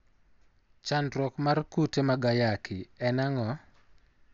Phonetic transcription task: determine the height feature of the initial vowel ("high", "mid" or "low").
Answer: low